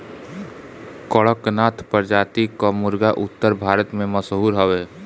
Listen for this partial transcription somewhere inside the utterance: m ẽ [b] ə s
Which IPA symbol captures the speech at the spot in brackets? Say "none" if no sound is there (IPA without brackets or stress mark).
m